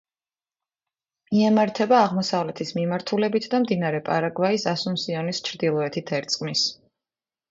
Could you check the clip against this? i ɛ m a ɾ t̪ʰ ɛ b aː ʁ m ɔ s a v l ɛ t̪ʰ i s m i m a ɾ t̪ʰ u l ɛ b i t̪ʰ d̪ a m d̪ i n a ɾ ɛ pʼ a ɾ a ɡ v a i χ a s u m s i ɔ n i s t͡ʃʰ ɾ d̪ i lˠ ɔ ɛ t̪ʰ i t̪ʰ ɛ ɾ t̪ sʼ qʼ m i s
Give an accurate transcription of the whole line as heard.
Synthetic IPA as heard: i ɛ m a ɾ t̪ʰ ɛ b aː ʁ m ɔ s a v l ɛ t̪ʰ i s m i m a ɾ t̪ʰ u l ɛ b i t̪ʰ d̪ a m d̪ i n a ɾ ɛ pʼ a ɾ a ɡ v a i s a s u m s i ɔ n i s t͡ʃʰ ɾ d̪ i lˠ ɔ ɛ t̪ʰ i t̪ʰ ɛ ɾ t̪ sʼ qʼ m i s